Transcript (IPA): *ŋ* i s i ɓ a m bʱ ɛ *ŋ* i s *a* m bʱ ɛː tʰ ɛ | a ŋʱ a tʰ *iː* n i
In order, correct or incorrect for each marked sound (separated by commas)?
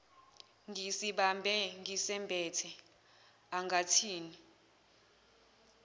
correct, correct, incorrect, correct